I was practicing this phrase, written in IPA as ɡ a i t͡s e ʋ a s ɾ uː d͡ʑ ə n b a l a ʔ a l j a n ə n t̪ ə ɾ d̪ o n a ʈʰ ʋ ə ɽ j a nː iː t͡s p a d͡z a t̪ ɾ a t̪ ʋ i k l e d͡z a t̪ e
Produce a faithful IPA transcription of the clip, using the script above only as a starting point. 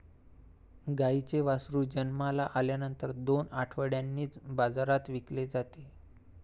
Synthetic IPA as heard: ɡ a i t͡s e ʋ a s ɾ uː d͡ʑ ə n m a l a ʔ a l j a n ə n t̪ ə ɾ d̪ o n a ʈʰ ʋ ə ɽ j a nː iː t͡s b a d͡z a ɾ a t̪ ʋ i k l e d͡z a t̪ e